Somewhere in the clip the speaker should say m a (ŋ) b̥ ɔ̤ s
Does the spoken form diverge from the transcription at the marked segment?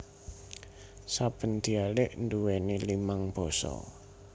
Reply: no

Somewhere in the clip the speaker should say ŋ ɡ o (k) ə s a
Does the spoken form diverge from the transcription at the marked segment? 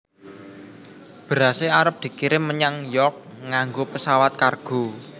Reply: yes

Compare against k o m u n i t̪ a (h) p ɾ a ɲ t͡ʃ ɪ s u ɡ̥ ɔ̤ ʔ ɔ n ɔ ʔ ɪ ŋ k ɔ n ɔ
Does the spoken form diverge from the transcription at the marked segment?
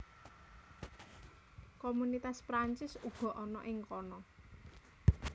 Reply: yes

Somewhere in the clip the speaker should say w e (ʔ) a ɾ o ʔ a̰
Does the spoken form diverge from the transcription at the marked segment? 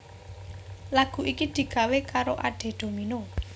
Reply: yes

